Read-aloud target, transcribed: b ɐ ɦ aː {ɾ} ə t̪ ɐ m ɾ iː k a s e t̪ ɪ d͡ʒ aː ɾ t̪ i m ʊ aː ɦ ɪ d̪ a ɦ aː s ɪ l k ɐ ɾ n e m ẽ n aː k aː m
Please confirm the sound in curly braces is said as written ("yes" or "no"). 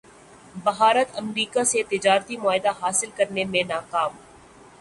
yes